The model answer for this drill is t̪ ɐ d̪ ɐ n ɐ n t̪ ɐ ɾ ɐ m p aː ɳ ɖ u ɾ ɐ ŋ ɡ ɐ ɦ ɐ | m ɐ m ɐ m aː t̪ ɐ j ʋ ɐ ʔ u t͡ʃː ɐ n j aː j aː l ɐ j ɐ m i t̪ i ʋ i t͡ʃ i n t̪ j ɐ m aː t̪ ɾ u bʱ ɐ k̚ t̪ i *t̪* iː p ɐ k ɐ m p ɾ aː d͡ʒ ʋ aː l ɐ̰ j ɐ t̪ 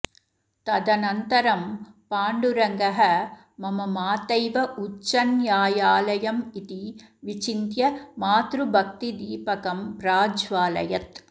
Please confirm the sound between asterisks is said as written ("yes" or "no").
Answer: no